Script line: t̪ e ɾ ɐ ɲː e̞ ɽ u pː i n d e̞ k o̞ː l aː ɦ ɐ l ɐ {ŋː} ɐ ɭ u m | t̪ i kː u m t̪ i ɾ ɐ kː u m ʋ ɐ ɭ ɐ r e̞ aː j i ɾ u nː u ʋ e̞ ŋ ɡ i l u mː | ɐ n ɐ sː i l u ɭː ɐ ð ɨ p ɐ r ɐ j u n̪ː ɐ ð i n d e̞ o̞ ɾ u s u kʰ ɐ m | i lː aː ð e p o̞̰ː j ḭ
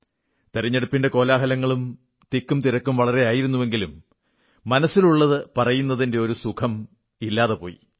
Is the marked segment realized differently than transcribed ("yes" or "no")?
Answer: no